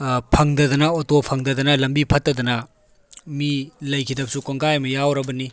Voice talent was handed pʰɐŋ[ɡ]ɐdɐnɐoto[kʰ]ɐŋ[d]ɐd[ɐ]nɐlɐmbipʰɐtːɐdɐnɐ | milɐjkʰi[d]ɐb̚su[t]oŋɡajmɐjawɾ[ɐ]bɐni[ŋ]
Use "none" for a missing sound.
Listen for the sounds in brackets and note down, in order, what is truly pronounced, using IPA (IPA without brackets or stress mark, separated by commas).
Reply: d, pʰ, d, ɐ, d, k, ɐ, none